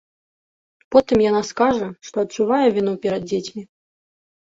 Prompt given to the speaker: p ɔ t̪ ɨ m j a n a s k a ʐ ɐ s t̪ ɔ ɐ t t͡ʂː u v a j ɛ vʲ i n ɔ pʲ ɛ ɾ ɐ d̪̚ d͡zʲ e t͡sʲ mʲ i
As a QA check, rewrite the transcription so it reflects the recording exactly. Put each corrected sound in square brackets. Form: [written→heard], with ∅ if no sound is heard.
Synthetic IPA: p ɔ t̪ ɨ m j a n a s k a ʐ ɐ [s→ʂ] t̪ ɔ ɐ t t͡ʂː u v a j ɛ vʲ i n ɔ pʲ ɛ ɾ ɐ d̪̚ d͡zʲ e t͡sʲ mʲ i